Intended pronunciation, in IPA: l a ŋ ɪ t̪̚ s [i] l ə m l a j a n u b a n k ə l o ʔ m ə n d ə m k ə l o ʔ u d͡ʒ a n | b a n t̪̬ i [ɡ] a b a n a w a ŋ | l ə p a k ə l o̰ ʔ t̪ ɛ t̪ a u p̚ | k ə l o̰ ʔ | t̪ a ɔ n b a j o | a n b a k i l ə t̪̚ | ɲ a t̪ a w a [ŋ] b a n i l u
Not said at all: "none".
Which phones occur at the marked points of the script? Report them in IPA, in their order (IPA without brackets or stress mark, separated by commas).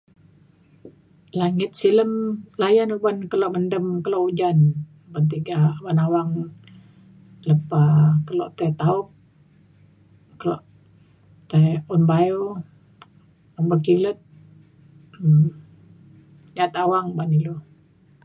i, ɡ, ŋ